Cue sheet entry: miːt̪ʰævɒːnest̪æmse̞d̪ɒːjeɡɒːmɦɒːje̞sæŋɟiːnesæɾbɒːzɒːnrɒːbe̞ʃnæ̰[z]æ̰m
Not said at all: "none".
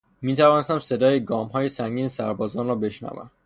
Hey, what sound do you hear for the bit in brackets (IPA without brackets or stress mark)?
v